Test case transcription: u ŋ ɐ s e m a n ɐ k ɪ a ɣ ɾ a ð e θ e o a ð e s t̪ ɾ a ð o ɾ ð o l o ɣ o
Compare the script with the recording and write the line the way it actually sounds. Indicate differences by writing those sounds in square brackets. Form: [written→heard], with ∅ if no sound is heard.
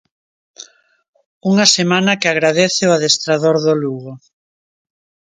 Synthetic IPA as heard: u ŋ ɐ s e m a n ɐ k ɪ a ɣ ɾ a ð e θ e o a ð e s t̪ ɾ a ð o ɾ ð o l [o→u] ɣ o